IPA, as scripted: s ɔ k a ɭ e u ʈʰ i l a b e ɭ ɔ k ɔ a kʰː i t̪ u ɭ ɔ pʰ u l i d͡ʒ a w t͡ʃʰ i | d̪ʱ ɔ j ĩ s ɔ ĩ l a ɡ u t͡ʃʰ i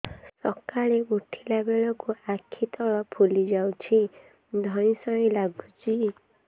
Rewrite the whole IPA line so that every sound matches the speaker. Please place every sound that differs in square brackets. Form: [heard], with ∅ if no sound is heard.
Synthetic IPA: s ɔ k a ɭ e u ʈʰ i l a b e ɭ ɔ k [u] a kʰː i t̪ [ɔ] ɭ ɔ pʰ u l i d͡ʒ a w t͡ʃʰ i | d̪ʱ ɔ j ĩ s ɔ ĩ l a ɡ u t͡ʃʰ i